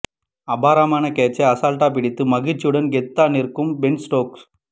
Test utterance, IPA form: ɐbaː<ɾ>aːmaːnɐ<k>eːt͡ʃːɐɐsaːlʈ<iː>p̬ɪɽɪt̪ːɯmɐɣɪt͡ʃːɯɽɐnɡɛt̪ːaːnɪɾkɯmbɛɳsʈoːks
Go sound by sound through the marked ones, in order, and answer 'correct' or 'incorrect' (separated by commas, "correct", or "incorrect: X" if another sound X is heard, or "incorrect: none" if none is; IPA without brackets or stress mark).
correct, correct, incorrect: aː